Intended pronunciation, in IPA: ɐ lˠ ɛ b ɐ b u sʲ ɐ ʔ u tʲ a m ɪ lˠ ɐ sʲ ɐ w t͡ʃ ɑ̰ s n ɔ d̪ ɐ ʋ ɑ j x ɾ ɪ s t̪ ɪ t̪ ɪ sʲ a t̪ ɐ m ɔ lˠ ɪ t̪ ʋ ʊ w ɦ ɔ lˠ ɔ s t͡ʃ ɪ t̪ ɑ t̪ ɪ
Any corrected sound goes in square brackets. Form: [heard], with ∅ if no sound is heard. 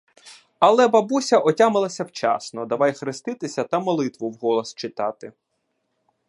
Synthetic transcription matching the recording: ɐ lˠ ɛ b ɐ b u sʲ ɐ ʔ [ɔ] tʲ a m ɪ lˠ ɐ sʲ ɐ w t͡ʃ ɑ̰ s n ɔ d̪ ɐ ʋ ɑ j x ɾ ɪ s t̪ ɪ t̪ ɪ sʲ [ɐ] t̪ ɐ m ɔ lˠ ɪ t̪ ʋ ʊ w ɦ ɔ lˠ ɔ s t͡ʃ ɪ t̪ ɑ t̪ ɪ